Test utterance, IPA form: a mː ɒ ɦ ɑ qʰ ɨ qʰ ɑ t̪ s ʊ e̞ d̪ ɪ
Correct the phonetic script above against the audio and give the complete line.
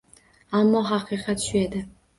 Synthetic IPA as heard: a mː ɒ ɦ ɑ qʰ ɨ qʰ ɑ t̪ ʃ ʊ e̞ d̪ ɪ